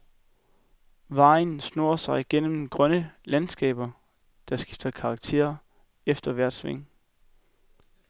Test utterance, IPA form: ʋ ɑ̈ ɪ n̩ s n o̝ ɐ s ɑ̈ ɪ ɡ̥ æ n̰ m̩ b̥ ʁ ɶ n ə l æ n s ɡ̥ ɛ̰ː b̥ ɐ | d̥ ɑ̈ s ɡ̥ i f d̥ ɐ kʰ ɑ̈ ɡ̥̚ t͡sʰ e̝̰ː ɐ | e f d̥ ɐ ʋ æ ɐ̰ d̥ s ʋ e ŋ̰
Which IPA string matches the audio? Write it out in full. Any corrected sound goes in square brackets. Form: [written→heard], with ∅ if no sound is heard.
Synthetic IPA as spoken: ʋ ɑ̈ ɪ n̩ s n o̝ ɐ s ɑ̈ ɪ ɡ̥ [æ→e] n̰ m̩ [b̥→ɡ̥] ʁ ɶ n ə l æ n s ɡ̥ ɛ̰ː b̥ ɐ | d̥ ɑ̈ s ɡ̥ i f d̥ ɐ kʰ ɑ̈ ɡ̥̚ t͡sʰ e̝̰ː ɐ | e f d̥ ɐ ʋ æ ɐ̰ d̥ s ʋ e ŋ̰